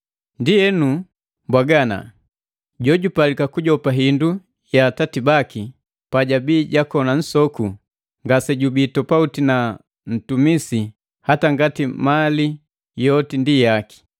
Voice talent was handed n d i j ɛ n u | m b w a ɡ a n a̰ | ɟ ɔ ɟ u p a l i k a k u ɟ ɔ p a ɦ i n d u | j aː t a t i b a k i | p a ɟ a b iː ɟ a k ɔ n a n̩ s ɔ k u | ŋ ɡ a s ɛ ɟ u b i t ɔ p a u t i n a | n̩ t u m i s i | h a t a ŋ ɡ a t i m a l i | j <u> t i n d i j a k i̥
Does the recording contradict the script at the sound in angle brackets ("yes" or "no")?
yes